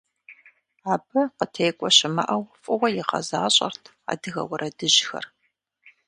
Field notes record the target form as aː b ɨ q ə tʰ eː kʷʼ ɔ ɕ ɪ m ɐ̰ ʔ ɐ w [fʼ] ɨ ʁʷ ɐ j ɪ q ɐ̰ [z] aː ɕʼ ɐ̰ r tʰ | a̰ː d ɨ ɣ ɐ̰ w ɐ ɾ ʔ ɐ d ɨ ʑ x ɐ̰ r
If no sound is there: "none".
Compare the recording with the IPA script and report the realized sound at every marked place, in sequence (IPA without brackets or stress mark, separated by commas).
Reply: fʼ, z